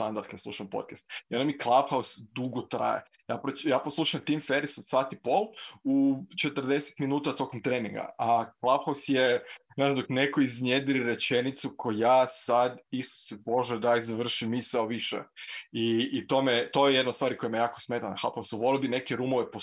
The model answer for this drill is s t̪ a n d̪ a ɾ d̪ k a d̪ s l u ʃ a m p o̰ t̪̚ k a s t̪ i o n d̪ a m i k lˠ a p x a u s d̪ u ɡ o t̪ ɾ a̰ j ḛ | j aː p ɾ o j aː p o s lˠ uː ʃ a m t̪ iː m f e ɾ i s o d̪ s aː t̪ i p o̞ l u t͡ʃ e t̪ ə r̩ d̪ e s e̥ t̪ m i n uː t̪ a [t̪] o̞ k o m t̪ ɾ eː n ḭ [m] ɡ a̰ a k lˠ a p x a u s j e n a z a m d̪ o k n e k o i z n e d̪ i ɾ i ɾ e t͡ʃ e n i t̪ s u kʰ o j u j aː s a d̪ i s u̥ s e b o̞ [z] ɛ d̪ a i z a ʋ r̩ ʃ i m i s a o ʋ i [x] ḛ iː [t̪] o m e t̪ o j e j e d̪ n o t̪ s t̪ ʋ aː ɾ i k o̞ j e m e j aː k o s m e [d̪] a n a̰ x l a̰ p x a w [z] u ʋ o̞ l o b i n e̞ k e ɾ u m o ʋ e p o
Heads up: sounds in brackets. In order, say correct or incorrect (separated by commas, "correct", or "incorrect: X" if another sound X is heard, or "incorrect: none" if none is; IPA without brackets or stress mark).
correct, incorrect: ŋ, incorrect: ʒ, incorrect: ʃ, correct, incorrect: t̪, incorrect: s